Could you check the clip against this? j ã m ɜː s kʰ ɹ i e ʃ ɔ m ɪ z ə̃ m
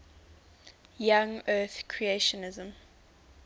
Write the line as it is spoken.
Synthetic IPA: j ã ŋ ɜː θ kʰ ɹ i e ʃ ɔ n ɪ z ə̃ m